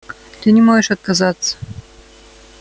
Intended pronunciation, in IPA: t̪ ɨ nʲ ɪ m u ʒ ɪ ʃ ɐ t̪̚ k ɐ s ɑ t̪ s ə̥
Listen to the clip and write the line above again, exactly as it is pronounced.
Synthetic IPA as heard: t̪ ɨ nʲ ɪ m o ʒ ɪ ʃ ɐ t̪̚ k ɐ z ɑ t̪ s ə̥

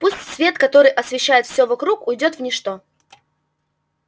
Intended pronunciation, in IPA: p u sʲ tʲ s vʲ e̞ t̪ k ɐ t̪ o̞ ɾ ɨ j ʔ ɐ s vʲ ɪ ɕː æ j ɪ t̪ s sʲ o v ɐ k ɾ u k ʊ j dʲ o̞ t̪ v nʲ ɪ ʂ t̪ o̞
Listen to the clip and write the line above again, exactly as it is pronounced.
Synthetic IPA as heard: p u sʲ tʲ s vʲ e̞ t̪ k ɐ t̪ o̞ ɾ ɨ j ʔ ɐ s vʲ ɪ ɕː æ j ɪ t̪ f sʲ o v ɐ k ɾ u k ʊ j dʲ o̞ t̪ v nʲ ɪ ʂ t̪ o̞

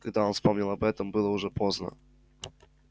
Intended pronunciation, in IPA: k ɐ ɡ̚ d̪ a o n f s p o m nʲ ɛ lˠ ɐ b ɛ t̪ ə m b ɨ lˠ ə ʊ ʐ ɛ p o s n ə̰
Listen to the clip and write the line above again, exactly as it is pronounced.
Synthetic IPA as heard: k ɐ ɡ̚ d̪ a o n f s p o m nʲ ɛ lˠ ɐ b ɛ t̪ ə m b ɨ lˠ ə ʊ ʐ ɛ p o z n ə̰

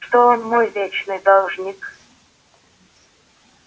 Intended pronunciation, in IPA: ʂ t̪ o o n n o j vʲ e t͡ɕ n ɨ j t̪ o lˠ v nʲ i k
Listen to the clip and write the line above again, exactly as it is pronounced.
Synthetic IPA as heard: ʂ t̪ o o n m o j vʲ e t͡ɕ n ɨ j d̪ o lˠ ʐ nʲ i k

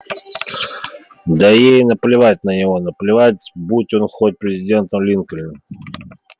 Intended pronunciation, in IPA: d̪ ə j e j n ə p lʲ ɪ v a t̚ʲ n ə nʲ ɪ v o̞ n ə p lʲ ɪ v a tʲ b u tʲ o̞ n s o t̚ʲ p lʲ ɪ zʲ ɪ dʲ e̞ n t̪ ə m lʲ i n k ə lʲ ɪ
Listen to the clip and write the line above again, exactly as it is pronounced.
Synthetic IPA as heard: d̪ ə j e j n ə p lʲ ɪ v a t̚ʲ n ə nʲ ɪ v o̞ n ə p lʲ ɪ v a tʲ b u tʲ o̞ n x o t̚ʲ p ɾʲ ɪ zʲ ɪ dʲ e̞ n t̪ ə m lʲ i n k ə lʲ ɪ

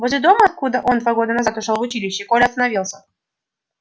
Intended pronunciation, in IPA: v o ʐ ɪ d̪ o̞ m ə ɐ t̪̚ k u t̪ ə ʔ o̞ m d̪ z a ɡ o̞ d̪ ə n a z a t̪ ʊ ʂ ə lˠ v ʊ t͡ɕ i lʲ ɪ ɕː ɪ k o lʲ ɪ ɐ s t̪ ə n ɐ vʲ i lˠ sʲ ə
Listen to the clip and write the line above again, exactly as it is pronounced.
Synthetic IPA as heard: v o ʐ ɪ d̪ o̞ m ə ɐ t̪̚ k u d̪ ə ʔ o̞ n d̪ v a ɡ o̞ d̪ ə n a z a t̪ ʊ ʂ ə lˠ v ʊ t͡ɕ i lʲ ɪ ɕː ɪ k o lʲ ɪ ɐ s t̪ ə n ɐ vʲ i lˠ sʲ ə

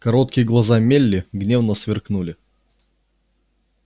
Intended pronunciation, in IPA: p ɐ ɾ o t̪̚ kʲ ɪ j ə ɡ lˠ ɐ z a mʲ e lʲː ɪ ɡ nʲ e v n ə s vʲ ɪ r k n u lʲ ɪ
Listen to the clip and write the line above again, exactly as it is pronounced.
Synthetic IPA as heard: k ɐ ɾ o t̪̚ kʲ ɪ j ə ɡ lˠ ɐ z a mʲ e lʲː ɪ ɡ nʲ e v n ə s vʲ ɪ r k n u lʲ ɪ

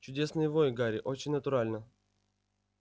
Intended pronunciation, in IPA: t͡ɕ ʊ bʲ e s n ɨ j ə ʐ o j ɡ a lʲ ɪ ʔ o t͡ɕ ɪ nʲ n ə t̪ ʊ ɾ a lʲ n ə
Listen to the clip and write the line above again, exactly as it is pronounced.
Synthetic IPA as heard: t͡ɕ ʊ dʲ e s n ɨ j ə v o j ɡ a ɾʲ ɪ ʔ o t͡ɕ ɪ nʲ n ə t̪ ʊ ɾ a lʲ n ə

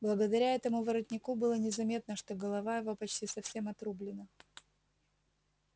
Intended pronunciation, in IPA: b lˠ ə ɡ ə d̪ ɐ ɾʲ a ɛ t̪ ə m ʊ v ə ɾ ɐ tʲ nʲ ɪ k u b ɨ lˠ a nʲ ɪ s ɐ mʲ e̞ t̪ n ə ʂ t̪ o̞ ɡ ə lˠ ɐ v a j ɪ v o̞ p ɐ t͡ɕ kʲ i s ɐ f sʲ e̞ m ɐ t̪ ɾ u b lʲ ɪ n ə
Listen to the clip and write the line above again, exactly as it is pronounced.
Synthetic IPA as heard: b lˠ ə ɡ ə d̪ ɐ ɾʲ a ɛ t̪ ə m ʊ v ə ɾ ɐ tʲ nʲ ɪ k u b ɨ lˠ ə nʲ ɪ z ɐ mʲ e̞ t̪ n ə ʂ t̪ o̞ ɡ ə lˠ ɐ v a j ɪ v o̞ p ɐ t͡ɕ tʲ i s ɐ f sʲ e̞ m ɐ t̪ ɾ u b lʲ ɪ n ə

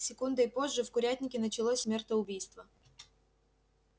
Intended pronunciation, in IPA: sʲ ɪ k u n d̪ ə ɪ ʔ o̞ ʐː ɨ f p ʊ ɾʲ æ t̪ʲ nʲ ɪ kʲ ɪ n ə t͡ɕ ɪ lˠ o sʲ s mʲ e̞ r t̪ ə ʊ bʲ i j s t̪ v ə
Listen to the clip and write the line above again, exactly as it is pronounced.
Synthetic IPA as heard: sʲ ɪ k u n d̪ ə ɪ p o̞ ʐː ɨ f k ʊ ɾʲ æ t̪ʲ nʲ ɪ kʲ ɪ n ə t͡ɕ ɪ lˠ o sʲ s mʲ e̞ r t̪ ə ʊ bʲ i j s t̪ v ə

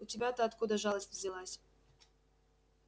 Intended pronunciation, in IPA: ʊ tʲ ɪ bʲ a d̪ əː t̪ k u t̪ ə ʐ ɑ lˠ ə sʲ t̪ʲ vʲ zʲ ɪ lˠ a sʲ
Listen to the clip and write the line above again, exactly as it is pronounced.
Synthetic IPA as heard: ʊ tʲ ɪ bʲ a t̪ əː t̪ k u d̪ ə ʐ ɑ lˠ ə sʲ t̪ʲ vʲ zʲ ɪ lˠ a sʲ

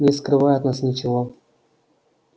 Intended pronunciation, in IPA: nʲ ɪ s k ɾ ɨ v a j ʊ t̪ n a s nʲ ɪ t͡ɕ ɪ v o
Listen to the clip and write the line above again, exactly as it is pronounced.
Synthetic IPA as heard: nʲ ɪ s k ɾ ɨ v a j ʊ t̪ n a s nʲ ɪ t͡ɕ ɪ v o

